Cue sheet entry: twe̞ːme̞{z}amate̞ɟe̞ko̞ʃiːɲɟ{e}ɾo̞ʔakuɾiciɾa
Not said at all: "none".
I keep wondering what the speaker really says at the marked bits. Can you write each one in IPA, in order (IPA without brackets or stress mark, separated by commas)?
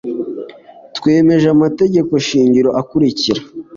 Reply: ʒ, i